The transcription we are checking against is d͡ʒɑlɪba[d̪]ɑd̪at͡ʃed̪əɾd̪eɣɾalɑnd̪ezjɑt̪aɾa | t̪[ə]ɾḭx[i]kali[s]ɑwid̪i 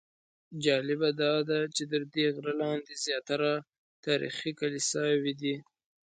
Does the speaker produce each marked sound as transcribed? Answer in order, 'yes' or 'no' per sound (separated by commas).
yes, no, yes, yes